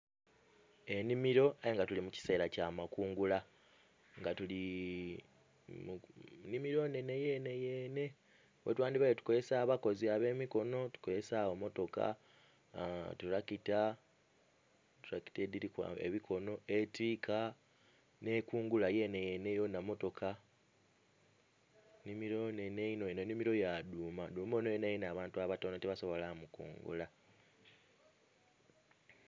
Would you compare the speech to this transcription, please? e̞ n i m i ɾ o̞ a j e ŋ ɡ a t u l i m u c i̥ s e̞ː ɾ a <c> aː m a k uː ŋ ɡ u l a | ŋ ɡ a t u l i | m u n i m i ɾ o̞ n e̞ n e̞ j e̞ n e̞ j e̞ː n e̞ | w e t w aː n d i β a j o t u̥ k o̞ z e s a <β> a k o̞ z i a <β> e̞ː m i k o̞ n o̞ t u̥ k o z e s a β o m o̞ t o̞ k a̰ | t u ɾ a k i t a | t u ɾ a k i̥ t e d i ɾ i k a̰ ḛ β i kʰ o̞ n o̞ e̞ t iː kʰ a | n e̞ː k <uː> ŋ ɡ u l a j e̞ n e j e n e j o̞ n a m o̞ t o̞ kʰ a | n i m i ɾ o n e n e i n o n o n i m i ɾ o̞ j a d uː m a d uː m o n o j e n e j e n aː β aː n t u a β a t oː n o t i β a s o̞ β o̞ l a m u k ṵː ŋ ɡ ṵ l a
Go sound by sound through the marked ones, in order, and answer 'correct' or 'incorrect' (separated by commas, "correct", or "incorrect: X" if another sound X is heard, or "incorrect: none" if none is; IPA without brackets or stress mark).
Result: correct, correct, correct, correct